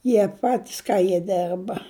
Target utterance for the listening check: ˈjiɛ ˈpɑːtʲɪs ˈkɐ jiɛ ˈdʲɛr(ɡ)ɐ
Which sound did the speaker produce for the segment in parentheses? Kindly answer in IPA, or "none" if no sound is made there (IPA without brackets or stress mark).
b